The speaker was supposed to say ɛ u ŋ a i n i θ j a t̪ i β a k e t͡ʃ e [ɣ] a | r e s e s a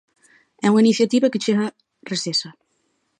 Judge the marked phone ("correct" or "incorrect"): correct